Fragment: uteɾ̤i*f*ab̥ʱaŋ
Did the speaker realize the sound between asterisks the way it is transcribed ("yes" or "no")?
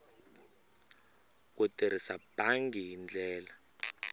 no